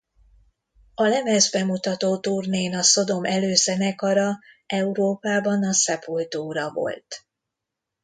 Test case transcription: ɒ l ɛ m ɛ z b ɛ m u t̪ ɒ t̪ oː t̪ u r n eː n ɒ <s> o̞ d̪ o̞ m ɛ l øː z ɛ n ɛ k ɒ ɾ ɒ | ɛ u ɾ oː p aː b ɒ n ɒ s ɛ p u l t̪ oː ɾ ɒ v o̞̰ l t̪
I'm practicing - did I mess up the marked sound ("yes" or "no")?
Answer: no